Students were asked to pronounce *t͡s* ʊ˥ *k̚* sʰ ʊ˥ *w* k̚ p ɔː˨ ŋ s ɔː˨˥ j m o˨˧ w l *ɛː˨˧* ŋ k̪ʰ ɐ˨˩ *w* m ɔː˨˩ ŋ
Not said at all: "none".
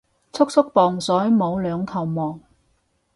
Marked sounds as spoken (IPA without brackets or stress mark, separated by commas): t͡sʰ, k̚, none, œː˨˧, w